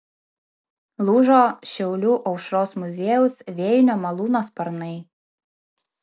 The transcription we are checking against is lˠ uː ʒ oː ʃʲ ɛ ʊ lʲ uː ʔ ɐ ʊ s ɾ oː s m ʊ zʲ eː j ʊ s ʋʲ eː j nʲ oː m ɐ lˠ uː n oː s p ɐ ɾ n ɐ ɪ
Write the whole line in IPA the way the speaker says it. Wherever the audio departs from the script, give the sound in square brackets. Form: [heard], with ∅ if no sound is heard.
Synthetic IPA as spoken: lˠ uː ʒ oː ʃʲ ɛ ʊ lʲ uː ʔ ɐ ʊ [ʃ] ɾ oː s m ʊ zʲ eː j ʊ s ʋʲ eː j nʲ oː m ɐ lˠ uː n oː s p ɐ ɾ n ɐ ɪ